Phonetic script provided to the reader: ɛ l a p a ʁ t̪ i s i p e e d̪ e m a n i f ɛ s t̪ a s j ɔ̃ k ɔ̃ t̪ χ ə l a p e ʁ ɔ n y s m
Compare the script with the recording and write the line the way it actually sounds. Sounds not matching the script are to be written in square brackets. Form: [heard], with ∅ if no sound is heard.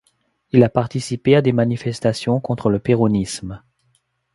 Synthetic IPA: [i] l a p a ʁ t̪ i s i p e [a] d̪ e m a n i f ɛ s t̪ a s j ɔ̃ k ɔ̃ t̪ χ ə l [ə] p e ʁ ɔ n [i] s m

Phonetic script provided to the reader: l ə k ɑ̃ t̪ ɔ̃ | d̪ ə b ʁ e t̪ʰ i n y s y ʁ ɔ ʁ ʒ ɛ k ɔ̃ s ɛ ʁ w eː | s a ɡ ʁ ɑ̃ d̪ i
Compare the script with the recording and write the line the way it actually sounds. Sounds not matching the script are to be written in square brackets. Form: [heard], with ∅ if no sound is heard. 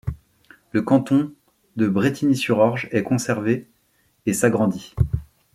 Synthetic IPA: l ə k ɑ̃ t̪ ɔ̃ | d̪ ə b ʁ e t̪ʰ i n [i] s y ʁ ɔ ʁ ʒ ɛ k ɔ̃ s ɛ ʁ [v] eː | s a ɡ ʁ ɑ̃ d̪ i

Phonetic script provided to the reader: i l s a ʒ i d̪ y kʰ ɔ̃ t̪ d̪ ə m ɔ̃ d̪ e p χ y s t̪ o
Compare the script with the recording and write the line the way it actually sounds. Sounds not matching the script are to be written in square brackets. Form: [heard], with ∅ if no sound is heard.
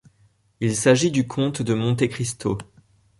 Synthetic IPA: i l s a ʒ i d̪ y kʰ ɔ̃ t̪ d̪ ə m ɔ̃ [t̪] e [k] χ [i] s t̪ o

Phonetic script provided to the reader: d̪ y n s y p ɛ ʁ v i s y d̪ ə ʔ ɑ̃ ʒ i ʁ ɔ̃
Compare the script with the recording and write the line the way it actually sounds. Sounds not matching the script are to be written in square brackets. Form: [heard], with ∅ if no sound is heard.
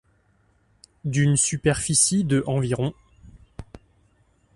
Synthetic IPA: d̪ y n s y p ɛ ʁ [f] i s [i] d̪ ə ʔ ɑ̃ [v] i ʁ ɔ̃

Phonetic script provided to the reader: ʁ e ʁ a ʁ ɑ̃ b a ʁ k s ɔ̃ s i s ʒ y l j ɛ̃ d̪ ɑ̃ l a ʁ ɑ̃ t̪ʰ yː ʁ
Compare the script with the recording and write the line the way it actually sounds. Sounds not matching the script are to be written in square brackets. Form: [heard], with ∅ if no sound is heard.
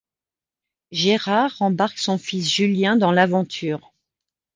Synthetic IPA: [ʒ] e ʁ a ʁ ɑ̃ b a ʁ k s ɔ̃ [f] i s ʒ y l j ɛ̃ d̪ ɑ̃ l a [v] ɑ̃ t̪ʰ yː ʁ

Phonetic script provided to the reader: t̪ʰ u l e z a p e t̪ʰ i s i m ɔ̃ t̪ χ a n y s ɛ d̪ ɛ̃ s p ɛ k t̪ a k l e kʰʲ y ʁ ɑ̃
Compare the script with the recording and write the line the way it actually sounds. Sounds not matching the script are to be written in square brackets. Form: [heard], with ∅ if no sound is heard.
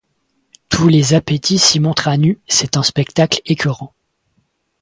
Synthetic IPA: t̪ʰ u l e z a p e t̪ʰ i s i m ɔ̃ t̪ χ a n y s ɛ [t̪] ɛ̃ s p ɛ k t̪ a k l e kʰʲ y ʁ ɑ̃

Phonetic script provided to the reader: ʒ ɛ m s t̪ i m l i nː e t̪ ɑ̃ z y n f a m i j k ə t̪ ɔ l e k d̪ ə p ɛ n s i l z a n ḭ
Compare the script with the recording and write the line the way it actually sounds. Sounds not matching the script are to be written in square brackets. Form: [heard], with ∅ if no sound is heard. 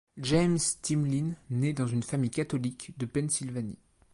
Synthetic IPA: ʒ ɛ m s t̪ i m l i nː e [d̪] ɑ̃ z y n f a m i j k [a] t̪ ɔ l [i] k d̪ ə p ɛ n s i l [v] a n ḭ

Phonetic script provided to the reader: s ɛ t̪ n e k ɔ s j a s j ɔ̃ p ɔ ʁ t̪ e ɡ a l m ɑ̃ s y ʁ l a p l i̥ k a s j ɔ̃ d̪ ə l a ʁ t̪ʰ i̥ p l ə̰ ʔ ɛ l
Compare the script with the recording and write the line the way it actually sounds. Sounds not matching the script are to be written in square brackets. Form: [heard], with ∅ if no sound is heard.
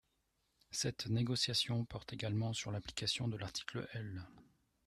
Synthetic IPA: s ɛ t̪ n e [ɡ] ɔ s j a s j ɔ̃ p ɔ ʁ t̪ e ɡ a l m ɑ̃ s y ʁ l a p l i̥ k a s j ɔ̃ d̪ ə l a ʁ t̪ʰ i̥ [k] l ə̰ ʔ ɛ l

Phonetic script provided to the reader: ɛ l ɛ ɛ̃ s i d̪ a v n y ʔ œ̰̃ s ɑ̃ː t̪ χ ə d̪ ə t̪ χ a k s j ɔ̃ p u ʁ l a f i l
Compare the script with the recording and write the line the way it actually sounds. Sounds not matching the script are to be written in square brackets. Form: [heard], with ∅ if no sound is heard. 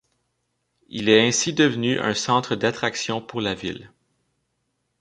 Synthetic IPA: [i] l ɛ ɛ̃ s i d̪ [ə] v n y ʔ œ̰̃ s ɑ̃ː t̪ χ ə d̪ [a] t̪ χ a k s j ɔ̃ p u ʁ l a [v] i l

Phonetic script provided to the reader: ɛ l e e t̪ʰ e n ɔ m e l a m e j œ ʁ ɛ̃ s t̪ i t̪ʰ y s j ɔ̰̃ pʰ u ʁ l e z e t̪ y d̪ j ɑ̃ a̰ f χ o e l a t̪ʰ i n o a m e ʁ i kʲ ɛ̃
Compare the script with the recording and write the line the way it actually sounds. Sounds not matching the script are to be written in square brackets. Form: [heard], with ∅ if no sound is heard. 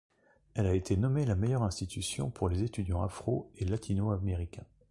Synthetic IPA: ɛ l [a] e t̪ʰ e n ɔ m e l a m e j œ ʁ ɛ̃ s t̪ i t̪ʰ y s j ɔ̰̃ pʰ u ʁ l e z e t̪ y d̪ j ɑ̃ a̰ f χ o e l a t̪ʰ i n o a m e ʁ i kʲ ɛ̃

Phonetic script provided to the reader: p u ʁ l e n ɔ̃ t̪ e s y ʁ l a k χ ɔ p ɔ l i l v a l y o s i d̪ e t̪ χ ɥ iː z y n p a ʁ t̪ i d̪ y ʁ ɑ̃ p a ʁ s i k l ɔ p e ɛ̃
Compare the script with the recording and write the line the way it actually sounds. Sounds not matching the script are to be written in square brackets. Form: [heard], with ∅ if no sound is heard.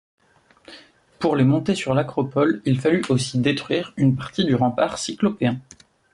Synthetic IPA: p u ʁ l e [m] ɔ̃ t̪ e s y ʁ l a k χ ɔ p ɔ l i l [f] a l y o s i d̪ e t̪ χ ɥ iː [ʁ] y n p a ʁ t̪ i d̪ y ʁ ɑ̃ p a ʁ s i k l ɔ p e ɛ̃

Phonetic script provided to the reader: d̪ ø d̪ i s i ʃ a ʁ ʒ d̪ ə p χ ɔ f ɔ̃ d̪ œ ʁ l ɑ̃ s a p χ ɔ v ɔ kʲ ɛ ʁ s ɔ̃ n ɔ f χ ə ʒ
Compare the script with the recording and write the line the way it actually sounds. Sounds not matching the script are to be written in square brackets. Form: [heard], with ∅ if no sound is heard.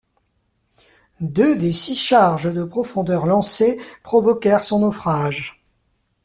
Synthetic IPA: d̪ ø d̪ [e] s i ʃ a ʁ ʒ d̪ ə p χ ɔ f ɔ̃ d̪ œ ʁ l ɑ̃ s [e] p χ ɔ v ɔ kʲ ɛ ʁ s ɔ̃ n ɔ f χ [a] ʒ

